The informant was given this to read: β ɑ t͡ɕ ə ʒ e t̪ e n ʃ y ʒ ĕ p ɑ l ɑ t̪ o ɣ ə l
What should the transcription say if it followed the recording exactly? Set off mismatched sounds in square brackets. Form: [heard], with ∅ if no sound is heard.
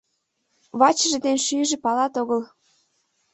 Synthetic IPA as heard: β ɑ t͡ɕ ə ʒ e [d̪] e n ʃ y ʒ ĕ p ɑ l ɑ t̪ o ɣ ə l